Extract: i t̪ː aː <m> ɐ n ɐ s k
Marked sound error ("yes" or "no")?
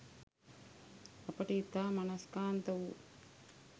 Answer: no